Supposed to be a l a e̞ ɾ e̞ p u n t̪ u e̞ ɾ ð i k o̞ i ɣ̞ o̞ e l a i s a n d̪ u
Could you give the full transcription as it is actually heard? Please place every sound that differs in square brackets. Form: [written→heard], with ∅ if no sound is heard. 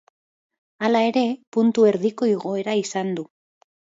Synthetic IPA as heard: a l a e̞ ɾ e̞ p u n t̪ u e̞ ɾ ð i k o̞ i ɣ̞ o̞ e [l→ɾ] a i s a n d̪ u